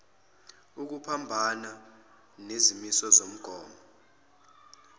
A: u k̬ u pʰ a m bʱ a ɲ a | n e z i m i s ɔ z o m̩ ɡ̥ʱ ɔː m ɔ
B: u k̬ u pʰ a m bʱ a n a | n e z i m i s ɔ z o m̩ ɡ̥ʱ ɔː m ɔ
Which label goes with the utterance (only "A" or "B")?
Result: B